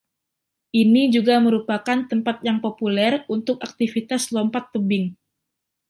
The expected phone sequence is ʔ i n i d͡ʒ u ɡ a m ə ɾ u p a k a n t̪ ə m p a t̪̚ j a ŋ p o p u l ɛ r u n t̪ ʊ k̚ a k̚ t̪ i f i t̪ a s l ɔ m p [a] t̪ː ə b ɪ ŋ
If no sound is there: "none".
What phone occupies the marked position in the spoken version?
a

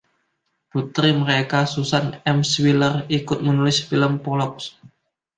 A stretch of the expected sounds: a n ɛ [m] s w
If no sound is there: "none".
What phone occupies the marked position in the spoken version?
m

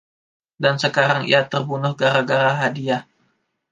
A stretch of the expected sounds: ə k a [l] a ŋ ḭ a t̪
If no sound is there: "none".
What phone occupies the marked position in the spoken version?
ɾ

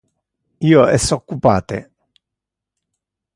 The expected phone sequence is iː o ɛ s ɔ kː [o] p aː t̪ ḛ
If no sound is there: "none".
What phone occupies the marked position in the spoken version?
u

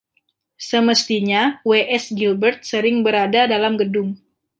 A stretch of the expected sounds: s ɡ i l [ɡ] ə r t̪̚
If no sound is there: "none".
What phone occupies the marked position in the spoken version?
b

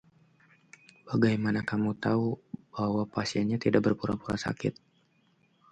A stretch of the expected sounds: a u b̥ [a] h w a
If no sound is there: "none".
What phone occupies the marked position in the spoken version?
a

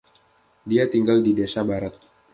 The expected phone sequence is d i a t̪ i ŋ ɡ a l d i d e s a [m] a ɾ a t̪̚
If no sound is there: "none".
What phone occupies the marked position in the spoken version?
b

